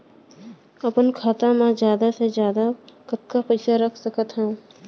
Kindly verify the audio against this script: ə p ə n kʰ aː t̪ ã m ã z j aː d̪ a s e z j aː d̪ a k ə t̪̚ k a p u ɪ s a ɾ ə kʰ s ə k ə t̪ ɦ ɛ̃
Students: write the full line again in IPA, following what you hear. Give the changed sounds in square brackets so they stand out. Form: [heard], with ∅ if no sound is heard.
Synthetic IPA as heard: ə p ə n kʰ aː t̪ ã m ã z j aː d̪ a s e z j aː d̪ a k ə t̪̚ k a p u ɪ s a ɾ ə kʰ s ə k ə t̪ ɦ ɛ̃